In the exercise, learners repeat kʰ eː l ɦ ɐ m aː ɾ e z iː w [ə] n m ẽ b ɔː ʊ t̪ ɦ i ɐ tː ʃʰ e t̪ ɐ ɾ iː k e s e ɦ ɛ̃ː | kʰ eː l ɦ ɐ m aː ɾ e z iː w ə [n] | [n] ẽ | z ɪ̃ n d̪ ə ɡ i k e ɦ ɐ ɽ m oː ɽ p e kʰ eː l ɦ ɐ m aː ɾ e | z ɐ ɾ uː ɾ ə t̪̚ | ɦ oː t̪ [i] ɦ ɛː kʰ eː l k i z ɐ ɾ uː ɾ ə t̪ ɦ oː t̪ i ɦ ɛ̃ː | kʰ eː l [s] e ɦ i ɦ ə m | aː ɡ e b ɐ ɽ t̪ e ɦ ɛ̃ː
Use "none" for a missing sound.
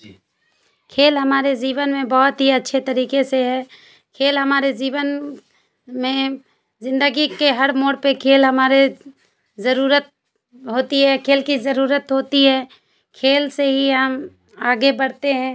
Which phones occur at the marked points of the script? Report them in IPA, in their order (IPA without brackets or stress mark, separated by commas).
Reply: ə, n, m, i, s